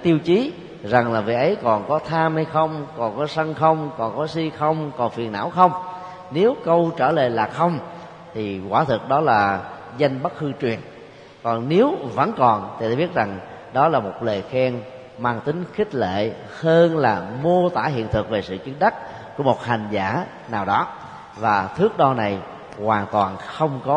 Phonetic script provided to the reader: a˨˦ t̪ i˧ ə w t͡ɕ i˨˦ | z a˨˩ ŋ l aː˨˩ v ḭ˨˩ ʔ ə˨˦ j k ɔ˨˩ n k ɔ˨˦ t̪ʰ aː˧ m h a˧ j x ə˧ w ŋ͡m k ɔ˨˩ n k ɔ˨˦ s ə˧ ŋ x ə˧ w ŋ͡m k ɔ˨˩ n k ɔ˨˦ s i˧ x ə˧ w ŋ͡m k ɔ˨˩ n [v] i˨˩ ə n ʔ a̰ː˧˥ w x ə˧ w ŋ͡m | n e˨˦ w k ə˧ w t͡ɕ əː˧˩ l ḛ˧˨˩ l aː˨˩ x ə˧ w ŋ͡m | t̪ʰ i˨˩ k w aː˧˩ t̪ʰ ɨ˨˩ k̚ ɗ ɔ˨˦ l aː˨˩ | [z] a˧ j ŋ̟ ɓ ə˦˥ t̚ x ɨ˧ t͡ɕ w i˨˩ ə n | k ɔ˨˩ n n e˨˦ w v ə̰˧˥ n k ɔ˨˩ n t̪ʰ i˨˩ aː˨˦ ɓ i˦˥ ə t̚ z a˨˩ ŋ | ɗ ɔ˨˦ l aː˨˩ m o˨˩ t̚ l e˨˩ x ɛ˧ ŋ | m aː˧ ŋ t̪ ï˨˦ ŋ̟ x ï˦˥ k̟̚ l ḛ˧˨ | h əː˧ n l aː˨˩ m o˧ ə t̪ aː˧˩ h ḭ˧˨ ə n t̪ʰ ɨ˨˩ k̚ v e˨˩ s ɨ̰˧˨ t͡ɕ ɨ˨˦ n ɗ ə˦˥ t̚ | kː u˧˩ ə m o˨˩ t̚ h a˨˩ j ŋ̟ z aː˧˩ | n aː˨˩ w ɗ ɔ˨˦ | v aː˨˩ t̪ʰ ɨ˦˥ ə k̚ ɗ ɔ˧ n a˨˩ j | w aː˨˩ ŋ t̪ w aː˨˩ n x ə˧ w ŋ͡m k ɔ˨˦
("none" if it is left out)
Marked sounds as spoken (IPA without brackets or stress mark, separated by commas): f, z